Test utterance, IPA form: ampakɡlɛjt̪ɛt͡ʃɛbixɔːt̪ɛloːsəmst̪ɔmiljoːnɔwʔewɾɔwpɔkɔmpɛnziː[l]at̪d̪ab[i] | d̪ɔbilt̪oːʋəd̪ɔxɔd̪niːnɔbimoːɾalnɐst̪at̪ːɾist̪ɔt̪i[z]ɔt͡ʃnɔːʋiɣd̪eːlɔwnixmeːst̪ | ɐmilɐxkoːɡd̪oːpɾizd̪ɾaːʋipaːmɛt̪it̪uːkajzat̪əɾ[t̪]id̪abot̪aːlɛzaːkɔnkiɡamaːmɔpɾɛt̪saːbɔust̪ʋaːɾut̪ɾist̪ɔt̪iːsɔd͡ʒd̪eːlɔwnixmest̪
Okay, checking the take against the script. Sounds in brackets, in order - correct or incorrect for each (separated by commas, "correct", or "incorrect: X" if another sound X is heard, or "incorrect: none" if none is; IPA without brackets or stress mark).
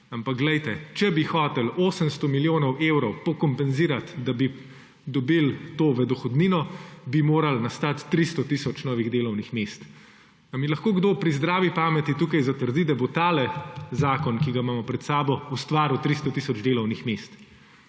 incorrect: ɾ, correct, incorrect: s, incorrect: d̪